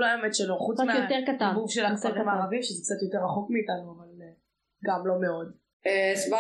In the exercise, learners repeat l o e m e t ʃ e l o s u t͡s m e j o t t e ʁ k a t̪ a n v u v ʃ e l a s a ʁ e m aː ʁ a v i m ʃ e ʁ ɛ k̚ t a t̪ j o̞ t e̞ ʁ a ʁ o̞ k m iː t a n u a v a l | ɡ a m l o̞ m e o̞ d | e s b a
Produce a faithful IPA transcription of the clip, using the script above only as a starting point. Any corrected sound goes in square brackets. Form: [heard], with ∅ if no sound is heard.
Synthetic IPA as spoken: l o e m e t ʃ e l o [χ] u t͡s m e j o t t e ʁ k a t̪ a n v u v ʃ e l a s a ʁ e m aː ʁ a v i m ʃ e [z] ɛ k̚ [t͡s] a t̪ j o̞ t e̞ ʁ a [χ] o̞ k m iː t a n u a v a l | ɡ a m l o̞ m e o̞ d | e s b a